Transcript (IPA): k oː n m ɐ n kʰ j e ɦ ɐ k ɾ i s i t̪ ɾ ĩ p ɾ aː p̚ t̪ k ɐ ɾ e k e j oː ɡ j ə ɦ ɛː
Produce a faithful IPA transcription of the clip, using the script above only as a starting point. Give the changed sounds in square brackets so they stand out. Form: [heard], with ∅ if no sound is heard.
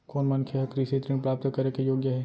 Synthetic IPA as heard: k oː n m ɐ n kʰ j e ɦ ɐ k ɾ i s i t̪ ɾ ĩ p ɾ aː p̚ t̪ k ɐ ɾ e k e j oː ɡ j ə ɦ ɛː